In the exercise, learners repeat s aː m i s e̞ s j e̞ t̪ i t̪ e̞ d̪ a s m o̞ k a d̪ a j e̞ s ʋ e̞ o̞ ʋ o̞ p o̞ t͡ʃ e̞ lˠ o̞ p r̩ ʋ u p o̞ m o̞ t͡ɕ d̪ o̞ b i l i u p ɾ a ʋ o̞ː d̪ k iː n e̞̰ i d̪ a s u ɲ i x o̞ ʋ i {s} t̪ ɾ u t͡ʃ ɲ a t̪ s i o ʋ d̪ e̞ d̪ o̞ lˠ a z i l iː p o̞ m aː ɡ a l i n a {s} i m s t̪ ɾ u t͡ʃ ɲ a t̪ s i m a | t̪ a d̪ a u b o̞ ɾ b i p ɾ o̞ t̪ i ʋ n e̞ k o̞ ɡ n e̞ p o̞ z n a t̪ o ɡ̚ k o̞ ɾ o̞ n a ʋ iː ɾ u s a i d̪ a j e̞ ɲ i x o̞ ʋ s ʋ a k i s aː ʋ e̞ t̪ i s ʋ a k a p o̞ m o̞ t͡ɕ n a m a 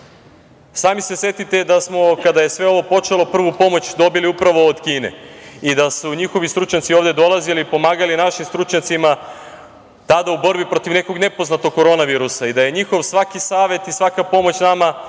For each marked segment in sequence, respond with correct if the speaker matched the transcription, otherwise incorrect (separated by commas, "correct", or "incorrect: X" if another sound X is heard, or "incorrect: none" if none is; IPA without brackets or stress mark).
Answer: correct, incorrect: ʃ